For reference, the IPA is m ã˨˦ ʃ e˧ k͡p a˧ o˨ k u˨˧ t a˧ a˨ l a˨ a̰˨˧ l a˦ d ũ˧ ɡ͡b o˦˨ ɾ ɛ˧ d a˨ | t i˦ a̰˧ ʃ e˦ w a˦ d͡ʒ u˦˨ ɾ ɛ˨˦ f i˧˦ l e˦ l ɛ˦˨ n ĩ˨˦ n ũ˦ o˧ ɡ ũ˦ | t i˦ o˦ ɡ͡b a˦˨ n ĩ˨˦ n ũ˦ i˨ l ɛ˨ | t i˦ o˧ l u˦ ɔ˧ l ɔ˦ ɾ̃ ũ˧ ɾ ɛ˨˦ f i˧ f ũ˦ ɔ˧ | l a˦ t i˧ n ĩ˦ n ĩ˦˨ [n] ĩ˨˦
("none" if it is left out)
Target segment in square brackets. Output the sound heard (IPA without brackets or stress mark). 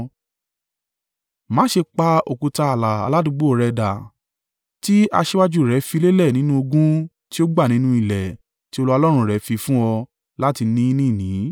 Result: n